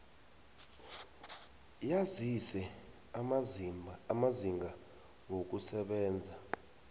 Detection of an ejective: absent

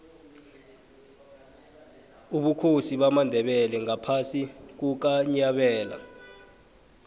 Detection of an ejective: absent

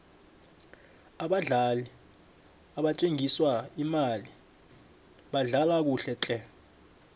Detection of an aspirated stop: absent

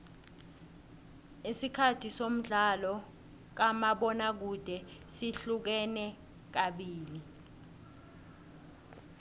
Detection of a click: absent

